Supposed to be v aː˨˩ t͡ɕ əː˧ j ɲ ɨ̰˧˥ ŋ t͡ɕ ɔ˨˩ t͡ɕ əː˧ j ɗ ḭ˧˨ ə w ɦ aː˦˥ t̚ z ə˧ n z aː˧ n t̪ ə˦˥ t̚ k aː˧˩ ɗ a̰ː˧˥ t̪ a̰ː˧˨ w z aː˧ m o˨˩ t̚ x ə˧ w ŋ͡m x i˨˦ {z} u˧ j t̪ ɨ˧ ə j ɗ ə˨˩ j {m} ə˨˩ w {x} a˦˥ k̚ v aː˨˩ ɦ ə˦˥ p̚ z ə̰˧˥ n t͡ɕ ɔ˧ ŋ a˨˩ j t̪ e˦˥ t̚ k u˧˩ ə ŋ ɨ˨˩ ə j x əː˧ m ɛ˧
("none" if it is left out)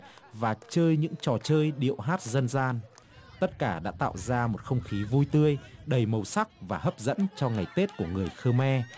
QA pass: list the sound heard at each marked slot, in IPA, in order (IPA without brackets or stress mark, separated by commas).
v, m, s